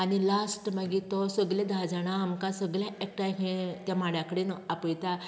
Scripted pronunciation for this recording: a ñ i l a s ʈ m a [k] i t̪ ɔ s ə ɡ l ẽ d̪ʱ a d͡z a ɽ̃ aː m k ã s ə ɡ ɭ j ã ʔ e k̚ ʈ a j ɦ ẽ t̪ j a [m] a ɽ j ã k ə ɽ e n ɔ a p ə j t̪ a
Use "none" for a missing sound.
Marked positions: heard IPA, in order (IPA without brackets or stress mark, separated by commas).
ɡ, m